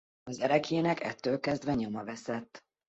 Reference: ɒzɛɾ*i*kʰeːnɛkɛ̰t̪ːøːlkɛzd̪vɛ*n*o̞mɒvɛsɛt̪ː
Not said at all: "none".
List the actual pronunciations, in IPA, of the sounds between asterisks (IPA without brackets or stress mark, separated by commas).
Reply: ɛ, ɲ